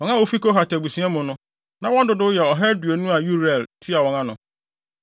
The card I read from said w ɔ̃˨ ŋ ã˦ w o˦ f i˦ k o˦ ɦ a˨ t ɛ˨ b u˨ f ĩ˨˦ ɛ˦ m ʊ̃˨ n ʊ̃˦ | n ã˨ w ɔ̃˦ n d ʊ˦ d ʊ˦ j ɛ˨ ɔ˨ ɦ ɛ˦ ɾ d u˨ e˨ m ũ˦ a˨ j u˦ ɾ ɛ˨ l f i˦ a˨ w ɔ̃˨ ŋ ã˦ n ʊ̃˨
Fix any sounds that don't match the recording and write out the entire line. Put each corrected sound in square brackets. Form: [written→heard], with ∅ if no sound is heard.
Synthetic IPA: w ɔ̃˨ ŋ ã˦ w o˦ f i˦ k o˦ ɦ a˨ t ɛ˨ b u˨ [f→s] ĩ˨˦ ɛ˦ m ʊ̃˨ n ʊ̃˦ | n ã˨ w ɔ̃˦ n d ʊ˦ d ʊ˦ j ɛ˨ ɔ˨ ɦ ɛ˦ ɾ d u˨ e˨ [m→n] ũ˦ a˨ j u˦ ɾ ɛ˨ l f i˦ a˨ w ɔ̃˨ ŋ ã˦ n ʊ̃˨

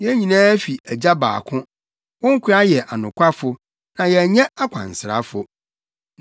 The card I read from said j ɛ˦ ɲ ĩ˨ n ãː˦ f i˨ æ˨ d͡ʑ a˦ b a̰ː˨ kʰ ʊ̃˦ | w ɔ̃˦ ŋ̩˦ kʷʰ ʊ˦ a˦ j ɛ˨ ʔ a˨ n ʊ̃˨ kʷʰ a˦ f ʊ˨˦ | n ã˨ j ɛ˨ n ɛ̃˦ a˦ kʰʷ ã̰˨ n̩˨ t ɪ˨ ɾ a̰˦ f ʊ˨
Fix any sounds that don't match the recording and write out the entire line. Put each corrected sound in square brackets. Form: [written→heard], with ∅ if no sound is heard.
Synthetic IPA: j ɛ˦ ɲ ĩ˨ n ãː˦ f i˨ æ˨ d͡ʑ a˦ b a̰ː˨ kʰ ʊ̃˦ | w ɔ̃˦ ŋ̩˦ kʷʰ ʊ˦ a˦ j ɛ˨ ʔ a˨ n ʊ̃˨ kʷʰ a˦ f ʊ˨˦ | n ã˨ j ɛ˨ [n→ɲ] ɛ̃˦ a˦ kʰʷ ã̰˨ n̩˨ [t→s] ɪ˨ ɾ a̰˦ f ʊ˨

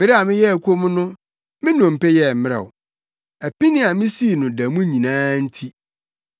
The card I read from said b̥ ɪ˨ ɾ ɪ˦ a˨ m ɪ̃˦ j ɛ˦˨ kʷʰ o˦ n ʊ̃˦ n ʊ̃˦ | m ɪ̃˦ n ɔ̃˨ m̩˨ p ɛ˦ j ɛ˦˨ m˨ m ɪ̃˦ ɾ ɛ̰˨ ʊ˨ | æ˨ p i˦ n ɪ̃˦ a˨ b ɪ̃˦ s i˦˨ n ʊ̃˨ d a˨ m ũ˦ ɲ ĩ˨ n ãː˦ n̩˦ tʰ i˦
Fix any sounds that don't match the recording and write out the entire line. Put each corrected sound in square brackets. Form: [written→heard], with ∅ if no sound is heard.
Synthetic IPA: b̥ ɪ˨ ɾ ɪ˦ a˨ m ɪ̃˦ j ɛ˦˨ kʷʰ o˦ [n→m] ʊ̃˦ n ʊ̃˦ | m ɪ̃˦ n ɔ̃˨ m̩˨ p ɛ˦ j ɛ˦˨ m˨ m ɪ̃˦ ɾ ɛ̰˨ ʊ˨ | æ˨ p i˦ n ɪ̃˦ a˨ [b→m] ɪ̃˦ s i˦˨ n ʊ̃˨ d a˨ m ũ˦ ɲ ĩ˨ n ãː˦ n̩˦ tʰ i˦

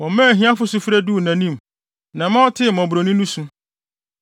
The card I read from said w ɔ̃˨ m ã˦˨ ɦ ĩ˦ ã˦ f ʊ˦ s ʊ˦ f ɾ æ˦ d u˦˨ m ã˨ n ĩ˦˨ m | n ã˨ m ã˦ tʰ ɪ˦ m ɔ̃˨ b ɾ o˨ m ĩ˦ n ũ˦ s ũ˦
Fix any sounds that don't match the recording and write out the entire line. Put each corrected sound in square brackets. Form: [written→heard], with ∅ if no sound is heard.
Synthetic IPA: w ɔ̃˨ m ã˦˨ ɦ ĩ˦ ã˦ f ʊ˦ s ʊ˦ f ɾ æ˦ d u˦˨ [m→n] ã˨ n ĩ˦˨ m | n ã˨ m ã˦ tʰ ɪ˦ m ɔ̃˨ b ɾ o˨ [m→n] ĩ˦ n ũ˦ s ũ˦

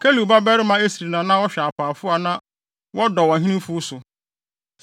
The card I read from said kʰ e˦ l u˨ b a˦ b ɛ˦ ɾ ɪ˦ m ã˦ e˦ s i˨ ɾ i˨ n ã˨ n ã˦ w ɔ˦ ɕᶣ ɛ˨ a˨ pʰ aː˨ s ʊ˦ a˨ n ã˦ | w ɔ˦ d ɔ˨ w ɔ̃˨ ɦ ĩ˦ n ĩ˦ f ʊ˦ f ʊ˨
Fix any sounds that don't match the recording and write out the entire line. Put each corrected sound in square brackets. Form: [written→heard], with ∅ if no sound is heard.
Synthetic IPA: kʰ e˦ l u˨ b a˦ b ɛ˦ ɾ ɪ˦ m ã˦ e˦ s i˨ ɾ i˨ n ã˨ n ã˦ w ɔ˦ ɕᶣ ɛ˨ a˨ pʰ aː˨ [s→f] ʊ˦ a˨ n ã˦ | w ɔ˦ d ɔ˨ w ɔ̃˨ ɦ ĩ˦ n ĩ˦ f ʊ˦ [f→s] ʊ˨

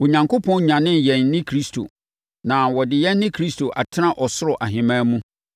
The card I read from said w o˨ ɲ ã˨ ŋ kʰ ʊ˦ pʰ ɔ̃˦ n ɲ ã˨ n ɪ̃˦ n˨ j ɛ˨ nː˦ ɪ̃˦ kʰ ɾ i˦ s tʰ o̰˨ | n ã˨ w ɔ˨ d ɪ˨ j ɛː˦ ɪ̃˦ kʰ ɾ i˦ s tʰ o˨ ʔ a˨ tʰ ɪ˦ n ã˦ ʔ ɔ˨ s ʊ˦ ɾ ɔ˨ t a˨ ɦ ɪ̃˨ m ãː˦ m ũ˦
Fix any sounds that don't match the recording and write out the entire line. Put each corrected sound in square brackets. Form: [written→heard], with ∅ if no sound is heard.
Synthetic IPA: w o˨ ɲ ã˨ ŋ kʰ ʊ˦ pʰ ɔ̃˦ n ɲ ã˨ n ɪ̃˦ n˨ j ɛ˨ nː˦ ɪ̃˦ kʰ ɾ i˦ s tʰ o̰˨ | n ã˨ w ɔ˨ d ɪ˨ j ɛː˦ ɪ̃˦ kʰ ɾ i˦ s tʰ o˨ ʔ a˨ tʰ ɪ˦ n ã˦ ʔ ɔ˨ s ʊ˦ ɾ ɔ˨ [t→ʔ] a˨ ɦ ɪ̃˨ m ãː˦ m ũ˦

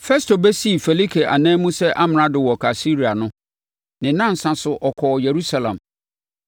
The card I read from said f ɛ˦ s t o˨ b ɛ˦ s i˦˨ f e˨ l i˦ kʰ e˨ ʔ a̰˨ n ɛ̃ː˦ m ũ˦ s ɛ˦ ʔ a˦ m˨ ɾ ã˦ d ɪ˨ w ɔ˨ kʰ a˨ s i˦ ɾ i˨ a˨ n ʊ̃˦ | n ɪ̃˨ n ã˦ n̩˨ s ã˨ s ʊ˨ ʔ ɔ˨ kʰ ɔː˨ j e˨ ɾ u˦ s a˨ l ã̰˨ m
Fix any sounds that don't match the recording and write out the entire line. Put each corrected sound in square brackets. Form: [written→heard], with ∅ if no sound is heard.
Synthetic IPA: f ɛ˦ s t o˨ b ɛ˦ s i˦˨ f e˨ l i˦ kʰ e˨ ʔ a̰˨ n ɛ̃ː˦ m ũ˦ s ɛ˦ ʔ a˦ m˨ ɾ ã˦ d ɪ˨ w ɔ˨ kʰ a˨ s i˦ ɾ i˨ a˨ n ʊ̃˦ | n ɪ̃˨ n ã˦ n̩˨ s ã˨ s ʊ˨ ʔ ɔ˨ kʰ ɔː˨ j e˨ ɾ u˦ s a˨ l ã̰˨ m

